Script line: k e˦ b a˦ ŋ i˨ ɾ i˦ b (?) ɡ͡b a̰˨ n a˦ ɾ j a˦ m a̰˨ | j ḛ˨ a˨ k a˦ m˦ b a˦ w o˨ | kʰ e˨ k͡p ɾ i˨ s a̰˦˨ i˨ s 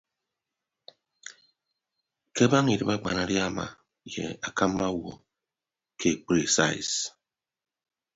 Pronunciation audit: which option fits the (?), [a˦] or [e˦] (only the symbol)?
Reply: a˦